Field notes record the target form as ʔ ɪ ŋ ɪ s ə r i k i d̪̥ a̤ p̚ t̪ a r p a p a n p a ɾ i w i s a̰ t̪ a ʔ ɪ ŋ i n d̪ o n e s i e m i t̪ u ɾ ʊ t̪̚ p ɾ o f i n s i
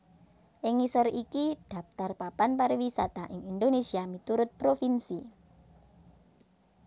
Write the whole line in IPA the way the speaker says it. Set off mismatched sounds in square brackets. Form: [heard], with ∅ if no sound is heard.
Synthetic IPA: ʔ ɪ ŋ [i] s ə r i k i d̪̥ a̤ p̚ t̪ a r p a p a n p a ɾ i w i s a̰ t̪ a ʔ ɪ ŋ i n d̪ o n e s i [a] m i t̪ u ɾ ʊ t̪̚ p ɾ o f i n s i

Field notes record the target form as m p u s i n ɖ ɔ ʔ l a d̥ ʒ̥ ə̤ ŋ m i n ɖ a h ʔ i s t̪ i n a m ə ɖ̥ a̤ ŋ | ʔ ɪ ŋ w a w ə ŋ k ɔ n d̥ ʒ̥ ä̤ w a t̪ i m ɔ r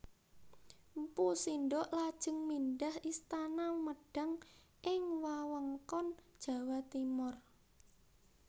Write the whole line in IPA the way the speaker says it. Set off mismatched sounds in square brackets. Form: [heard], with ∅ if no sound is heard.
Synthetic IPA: m p u s i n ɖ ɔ ʔ l a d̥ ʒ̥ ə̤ ŋ m i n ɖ a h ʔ i s t̪ [a] n a m ə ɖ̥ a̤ ŋ | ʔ ɪ ŋ w a w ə ŋ k ɔ n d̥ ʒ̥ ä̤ w a t̪ i m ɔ r

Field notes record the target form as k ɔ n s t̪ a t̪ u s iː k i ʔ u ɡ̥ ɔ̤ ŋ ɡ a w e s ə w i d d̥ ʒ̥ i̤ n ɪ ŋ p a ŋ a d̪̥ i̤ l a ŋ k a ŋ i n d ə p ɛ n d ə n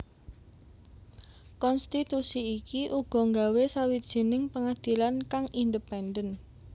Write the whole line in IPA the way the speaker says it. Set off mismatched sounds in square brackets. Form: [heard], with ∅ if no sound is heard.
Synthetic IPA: k ɔ n s t̪ [i] t̪ u s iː k i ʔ u ɡ̥ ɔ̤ ŋ ɡ a w e s [a] w i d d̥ ʒ̥ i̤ n ɪ ŋ p [ə] ŋ a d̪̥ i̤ l a [n] k a ŋ i n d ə p ɛ n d ə n

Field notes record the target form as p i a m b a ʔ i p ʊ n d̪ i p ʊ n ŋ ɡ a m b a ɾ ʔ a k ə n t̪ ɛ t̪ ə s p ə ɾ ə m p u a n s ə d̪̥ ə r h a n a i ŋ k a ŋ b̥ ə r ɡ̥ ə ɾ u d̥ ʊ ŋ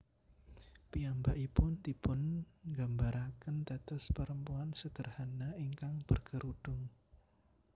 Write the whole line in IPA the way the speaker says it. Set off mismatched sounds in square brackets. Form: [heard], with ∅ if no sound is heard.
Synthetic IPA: p i a m b a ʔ i p ʊ n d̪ i p ʊ n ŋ ɡ a m b a ɾ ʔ a k ə n t̪ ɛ t̪ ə s p ə ɾ ə m p u a n s ə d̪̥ ə r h a n a i ŋ k a ŋ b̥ ə r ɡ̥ ə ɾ u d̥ ʊ ŋ

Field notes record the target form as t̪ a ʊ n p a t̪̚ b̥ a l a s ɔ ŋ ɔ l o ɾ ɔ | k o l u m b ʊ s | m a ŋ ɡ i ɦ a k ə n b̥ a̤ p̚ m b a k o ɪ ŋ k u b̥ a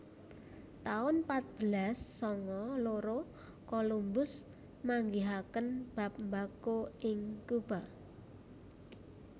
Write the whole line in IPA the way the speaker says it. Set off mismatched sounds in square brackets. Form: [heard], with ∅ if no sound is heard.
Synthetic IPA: t̪ a ʊ n p a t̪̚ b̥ [ə] l a [sː] ɔ ŋ ɔ l o ɾ [o] | k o l u m b ʊ s | m a ŋ ɡ i ɦ a k ə n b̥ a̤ p̚ m b a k o ɪ ŋ k u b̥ a

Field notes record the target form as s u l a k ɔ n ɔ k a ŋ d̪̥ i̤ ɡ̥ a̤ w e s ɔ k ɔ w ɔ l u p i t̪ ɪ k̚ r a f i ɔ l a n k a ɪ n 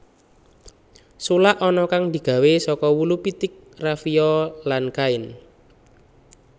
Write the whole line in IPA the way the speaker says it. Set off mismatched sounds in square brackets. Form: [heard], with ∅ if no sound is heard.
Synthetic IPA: s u l a [ʔ] ɔ n ɔ k a ŋ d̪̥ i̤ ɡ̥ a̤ w e s ɔ k ɔ w [u] l u p i t̪ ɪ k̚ r a f i ɔ l a n k a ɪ n

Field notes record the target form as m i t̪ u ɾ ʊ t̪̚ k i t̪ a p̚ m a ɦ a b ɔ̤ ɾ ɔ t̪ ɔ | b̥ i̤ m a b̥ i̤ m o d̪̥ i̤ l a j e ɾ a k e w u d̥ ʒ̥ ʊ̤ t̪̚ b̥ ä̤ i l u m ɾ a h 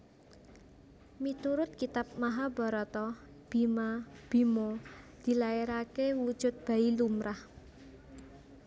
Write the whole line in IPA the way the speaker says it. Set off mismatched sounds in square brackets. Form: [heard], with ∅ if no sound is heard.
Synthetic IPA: m i t̪ u ɾ ʊ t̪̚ k i t̪ a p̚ m a ɦ a b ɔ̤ ɾ ɔ t̪ ɔ | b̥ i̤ m a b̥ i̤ m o d̪̥ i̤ l a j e ɾ a k e w u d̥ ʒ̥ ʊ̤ t̪̚ b̥ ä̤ i l u m ɾ a h

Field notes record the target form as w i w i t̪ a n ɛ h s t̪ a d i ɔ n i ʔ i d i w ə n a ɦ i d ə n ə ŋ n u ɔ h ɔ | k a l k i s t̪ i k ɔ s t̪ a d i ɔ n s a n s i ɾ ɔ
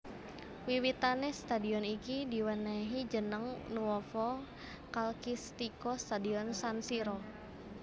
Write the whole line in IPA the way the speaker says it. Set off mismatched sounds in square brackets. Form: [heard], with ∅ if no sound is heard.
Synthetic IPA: w i w i t̪ a n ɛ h s t̪ a d i ɔ n i [k] i d i w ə n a ɦ i [d͡ʒ] ə n ə ŋ n u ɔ [f] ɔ | k a l k i s t̪ i k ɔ s t̪ a d i ɔ n s a n s i ɾ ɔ

